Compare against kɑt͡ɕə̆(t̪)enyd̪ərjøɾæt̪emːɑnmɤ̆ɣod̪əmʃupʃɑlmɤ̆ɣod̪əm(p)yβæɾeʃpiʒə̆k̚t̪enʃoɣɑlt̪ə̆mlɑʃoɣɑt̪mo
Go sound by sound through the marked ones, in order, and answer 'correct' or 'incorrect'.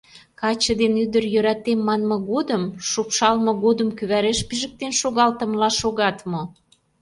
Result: incorrect: d̪, incorrect: k

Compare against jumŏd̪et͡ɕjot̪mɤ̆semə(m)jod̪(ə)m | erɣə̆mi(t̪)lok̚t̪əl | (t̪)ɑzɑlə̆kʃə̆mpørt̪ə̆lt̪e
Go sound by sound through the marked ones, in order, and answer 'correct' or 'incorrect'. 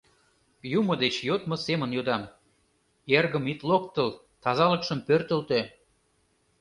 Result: incorrect: n, incorrect: ɑ, correct, correct

